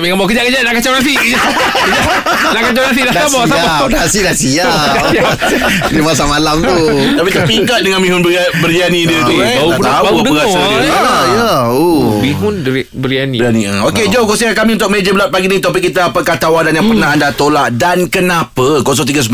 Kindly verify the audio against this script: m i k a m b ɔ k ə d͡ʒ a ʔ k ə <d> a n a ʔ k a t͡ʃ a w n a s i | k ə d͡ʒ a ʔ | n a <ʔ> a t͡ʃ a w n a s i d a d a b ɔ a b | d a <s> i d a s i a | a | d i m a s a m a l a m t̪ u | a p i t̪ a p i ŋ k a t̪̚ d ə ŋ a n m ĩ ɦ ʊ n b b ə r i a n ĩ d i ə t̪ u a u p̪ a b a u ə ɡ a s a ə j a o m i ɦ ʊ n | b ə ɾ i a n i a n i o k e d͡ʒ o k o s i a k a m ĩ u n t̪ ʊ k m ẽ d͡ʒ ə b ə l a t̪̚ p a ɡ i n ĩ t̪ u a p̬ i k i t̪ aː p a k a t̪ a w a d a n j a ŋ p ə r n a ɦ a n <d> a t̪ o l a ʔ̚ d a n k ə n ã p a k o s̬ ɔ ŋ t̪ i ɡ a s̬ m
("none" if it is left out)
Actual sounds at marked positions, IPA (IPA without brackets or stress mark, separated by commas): d͡ʒ, k, s, d